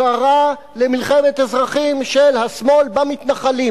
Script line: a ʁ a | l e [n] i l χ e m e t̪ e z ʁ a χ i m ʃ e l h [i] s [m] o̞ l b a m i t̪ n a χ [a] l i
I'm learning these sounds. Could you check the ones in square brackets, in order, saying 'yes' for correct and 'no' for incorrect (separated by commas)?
no, no, yes, yes